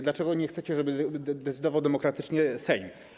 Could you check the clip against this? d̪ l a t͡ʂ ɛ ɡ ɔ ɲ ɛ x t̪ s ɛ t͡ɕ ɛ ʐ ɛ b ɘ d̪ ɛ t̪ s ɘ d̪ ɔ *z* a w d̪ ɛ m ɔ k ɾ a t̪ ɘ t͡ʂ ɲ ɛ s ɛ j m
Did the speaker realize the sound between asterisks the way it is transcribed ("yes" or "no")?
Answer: no